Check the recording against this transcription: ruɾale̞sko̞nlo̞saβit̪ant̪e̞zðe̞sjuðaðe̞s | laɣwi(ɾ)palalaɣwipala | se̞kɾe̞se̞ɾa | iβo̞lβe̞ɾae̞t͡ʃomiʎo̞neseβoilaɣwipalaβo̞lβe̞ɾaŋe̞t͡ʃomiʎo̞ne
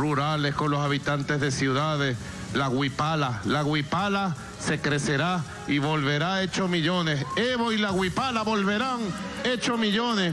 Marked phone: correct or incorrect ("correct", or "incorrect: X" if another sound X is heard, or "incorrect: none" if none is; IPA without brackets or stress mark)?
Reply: incorrect: none